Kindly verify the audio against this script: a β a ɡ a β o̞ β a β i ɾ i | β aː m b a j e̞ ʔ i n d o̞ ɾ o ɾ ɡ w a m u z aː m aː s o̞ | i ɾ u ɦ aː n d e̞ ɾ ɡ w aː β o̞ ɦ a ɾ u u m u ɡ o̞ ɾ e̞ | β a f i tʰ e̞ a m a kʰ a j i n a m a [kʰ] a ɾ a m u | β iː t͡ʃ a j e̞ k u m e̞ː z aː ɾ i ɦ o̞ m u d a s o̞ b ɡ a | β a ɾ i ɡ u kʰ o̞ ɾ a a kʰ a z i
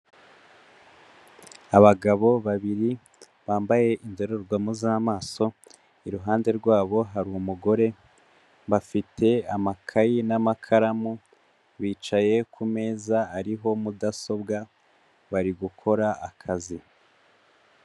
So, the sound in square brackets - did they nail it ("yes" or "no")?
yes